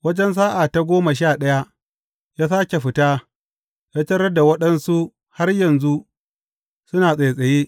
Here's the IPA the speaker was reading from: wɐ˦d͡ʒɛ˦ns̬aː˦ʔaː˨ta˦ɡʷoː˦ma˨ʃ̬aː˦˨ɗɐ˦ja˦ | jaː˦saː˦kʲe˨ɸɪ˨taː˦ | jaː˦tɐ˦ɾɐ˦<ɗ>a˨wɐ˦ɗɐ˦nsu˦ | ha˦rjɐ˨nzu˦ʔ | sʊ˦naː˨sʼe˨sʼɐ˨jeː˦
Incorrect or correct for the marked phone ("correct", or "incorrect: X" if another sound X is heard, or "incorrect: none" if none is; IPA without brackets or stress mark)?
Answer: incorrect: d